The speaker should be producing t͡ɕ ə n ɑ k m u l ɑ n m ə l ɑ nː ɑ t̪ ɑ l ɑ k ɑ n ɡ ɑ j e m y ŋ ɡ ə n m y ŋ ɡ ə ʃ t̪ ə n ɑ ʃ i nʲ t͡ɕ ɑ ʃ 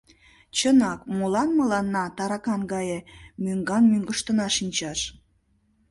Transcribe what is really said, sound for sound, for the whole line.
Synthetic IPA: t͡ɕ ə n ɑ k m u l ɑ n m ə l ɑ nː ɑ t̪ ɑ ɾ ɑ k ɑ n ɡ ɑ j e m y ŋ ɡ ɑ n m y ŋ ɡ ə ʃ t̪ ə n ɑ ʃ i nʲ t͡ɕ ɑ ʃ